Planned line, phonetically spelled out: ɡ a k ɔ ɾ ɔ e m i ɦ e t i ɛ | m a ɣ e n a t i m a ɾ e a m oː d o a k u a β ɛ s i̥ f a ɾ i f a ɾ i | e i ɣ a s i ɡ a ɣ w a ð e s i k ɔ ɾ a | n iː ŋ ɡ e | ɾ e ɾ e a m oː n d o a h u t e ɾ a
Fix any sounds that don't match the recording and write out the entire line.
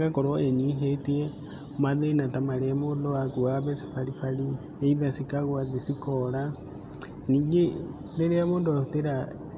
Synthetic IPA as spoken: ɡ a k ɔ ɾ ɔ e ɲ i ɦ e t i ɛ | m a ð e n a t a m a ɾ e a m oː d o a k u a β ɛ s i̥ f a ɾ i f a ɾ i | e i ð a s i k a ɣ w a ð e s i k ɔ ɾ a | n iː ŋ ɡ e | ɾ e ɾ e a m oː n d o a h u t e ɾ a